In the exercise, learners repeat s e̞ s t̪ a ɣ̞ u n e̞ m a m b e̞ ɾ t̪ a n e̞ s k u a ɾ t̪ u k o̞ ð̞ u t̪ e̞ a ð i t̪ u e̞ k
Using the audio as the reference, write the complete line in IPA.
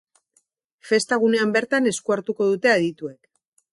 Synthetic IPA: f e̞ s t̪ a ɣ̞ u n e̞ a m b e̞ ɾ t̪ a n e̞ s k u a ɾ t̪ u k o̞ ð̞ u t̪ e̞ a ð i t̪ u e̞ k